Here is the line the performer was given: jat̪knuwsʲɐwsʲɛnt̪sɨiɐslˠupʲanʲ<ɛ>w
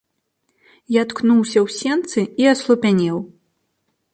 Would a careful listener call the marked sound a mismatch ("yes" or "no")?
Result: no